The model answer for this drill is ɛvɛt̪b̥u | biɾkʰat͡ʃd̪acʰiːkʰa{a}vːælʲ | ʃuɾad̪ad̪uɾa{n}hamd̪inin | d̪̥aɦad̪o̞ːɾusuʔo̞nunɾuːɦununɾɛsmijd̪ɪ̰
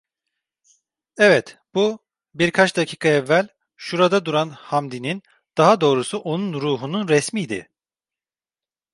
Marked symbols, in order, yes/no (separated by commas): no, yes